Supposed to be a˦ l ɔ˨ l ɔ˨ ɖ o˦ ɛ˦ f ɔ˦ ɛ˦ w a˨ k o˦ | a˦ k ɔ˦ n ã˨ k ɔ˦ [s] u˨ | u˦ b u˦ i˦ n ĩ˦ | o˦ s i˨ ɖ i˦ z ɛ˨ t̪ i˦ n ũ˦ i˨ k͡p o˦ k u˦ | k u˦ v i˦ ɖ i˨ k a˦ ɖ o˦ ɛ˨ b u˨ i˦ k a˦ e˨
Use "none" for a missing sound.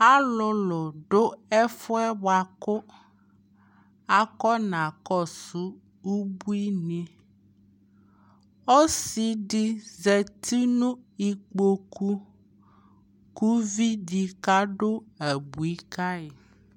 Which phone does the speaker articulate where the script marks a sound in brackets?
s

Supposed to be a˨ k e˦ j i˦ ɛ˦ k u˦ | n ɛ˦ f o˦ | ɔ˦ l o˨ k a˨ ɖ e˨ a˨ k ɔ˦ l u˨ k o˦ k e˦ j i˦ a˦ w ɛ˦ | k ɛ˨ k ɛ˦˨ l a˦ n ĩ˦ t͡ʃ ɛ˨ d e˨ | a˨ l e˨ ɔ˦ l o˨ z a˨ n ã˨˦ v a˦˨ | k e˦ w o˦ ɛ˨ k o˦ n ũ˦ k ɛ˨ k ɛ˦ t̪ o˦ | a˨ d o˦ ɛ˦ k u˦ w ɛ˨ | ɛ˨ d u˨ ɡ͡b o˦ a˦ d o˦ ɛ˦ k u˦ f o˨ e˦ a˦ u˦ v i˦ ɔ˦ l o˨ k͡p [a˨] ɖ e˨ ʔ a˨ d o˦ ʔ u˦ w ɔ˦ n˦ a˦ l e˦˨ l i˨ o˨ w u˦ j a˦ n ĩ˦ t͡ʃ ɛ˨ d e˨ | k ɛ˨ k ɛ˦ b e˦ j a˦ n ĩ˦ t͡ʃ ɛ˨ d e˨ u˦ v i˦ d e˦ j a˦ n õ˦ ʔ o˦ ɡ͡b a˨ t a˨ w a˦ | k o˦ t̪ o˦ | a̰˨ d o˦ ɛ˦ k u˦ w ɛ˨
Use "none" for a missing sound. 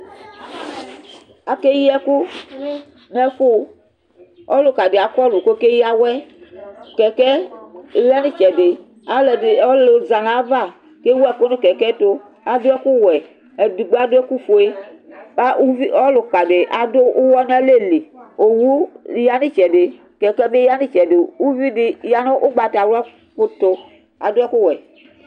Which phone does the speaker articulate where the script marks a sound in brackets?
a˨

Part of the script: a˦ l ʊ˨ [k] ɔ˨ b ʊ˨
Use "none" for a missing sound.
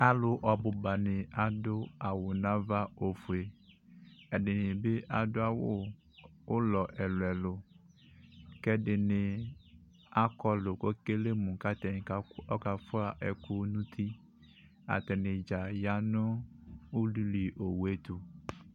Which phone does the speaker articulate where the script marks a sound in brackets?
ʔ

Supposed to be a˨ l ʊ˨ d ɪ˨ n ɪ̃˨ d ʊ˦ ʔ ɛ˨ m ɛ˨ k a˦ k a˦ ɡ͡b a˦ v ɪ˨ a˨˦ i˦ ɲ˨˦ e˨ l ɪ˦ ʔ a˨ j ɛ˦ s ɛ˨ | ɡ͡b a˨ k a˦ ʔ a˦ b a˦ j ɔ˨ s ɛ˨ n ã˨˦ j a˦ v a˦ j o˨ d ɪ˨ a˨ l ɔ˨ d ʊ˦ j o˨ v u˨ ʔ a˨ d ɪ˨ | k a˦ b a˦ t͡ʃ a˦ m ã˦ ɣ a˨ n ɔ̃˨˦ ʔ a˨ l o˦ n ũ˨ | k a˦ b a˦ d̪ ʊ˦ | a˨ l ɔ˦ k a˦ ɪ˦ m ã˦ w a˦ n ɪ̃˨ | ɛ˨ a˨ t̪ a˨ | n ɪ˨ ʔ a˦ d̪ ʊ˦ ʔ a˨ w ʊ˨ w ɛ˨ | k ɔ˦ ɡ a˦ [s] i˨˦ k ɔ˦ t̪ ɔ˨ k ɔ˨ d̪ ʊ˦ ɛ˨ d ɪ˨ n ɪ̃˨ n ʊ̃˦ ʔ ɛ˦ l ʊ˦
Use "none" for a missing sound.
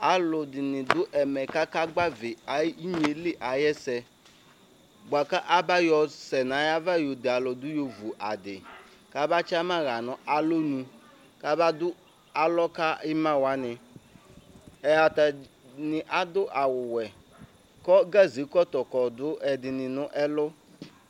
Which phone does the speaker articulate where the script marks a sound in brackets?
z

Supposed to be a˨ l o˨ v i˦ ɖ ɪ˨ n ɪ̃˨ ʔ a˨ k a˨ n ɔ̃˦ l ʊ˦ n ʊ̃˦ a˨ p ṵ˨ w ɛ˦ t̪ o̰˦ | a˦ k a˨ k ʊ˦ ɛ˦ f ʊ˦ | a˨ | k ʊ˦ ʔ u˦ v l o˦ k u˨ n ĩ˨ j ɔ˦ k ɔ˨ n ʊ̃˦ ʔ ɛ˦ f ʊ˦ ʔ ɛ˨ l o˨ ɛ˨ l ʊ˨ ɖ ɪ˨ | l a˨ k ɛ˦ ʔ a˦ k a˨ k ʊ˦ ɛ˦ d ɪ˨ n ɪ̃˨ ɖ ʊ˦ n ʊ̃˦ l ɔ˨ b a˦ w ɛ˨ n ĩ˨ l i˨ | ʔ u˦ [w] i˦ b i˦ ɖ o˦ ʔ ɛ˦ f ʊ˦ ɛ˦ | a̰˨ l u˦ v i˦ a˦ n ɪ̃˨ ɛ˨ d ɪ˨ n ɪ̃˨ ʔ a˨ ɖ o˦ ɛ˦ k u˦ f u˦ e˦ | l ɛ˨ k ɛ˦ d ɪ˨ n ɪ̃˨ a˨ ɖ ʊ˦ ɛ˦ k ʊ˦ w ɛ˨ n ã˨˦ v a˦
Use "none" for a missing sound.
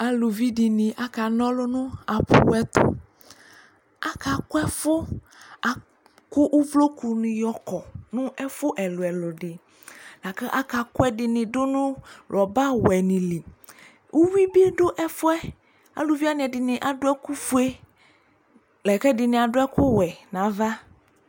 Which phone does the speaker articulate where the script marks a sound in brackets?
w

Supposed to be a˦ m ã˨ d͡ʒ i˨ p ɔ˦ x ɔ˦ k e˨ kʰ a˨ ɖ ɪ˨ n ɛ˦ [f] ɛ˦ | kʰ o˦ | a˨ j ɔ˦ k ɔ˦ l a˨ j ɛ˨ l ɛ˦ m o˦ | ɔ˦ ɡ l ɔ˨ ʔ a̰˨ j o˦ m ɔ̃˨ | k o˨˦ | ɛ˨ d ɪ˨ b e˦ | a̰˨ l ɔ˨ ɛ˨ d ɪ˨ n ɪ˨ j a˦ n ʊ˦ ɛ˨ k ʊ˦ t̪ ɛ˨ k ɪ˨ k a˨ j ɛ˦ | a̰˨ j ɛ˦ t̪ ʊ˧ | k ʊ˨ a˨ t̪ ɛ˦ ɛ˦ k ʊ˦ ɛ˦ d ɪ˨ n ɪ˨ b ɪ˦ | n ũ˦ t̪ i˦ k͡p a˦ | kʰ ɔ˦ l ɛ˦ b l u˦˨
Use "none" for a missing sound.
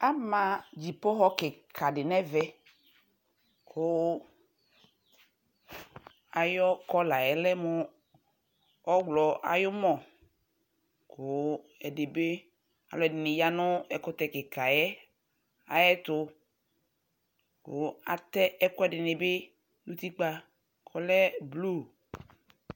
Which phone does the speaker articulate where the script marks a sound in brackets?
v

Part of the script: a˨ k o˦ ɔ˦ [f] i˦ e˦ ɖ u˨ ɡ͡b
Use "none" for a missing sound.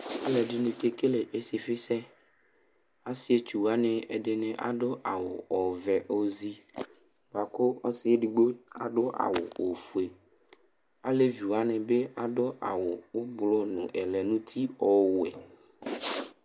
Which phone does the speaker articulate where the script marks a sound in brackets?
s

